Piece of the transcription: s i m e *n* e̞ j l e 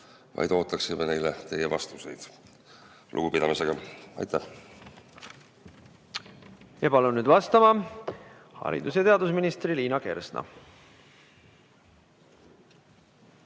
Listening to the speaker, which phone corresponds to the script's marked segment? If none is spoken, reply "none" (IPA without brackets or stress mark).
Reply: n